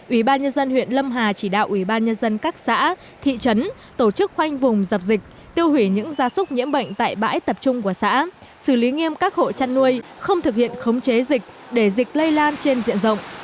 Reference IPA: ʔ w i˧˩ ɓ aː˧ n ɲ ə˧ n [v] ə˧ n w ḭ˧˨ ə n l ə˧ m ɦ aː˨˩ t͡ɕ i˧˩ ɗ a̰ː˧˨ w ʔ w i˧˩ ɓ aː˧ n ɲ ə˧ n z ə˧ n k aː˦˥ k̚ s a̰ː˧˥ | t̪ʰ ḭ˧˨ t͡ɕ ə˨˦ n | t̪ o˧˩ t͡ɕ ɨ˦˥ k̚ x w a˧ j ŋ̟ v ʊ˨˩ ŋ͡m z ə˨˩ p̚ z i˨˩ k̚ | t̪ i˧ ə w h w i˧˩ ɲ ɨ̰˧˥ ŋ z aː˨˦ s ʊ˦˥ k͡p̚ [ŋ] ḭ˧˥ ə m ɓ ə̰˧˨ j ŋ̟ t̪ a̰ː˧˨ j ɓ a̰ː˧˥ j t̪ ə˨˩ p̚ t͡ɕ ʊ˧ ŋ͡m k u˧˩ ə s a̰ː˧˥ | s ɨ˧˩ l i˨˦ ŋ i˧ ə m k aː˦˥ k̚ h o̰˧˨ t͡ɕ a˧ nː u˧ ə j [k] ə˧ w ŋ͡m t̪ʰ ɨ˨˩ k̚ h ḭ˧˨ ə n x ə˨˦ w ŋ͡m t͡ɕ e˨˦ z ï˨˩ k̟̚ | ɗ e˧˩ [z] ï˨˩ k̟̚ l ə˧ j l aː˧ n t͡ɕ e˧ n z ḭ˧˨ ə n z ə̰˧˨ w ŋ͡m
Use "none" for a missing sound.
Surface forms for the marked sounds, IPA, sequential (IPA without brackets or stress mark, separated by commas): z, ɲ, x, z